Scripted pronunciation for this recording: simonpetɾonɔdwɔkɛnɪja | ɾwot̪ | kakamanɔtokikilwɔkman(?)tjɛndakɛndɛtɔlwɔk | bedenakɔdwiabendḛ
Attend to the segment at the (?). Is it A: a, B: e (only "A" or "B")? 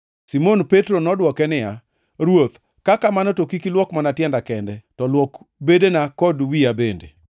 A